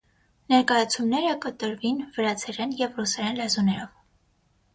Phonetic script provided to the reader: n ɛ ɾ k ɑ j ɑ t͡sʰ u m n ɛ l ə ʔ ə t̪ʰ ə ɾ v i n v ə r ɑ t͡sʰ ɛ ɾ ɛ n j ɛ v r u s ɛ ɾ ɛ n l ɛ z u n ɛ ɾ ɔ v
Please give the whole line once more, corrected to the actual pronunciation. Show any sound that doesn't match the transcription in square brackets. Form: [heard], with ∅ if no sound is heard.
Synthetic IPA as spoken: n ɛ ɾ k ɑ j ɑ t͡sʰ u m n ɛ [ɾ] ə [k] ə [t̪] ə ɾ v i n v ə [ɾ] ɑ t͡sʰ ɛ ɾ ɛ n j ɛ v r u s ɛ ɾ ɛ n l ɛ z u n ɛ ɾ ɔ v